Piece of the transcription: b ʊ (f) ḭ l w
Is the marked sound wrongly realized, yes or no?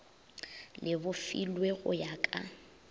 no